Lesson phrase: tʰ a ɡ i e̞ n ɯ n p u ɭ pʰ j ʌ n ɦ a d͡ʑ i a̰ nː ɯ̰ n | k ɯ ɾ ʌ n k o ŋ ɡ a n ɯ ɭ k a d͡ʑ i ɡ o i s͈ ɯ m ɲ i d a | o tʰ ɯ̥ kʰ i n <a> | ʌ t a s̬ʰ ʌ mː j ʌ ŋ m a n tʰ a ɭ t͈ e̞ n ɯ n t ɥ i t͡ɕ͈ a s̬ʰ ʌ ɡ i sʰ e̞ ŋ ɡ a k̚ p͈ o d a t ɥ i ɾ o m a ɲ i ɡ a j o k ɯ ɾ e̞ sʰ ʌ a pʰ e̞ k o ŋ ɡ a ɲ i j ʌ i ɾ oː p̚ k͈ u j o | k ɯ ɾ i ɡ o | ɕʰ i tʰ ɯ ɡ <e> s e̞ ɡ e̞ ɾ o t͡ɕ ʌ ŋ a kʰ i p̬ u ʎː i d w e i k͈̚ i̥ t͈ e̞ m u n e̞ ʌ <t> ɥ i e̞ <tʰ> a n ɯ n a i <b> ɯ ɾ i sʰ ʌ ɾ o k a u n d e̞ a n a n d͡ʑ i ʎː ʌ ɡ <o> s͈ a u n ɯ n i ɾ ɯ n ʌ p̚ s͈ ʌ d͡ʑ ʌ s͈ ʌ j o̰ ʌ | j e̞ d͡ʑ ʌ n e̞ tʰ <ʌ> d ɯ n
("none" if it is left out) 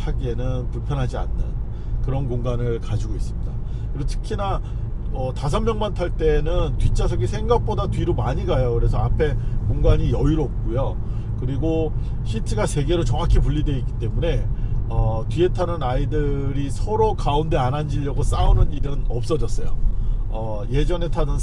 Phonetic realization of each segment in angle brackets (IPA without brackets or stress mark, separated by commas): a, a, t, tʰ, d, o, a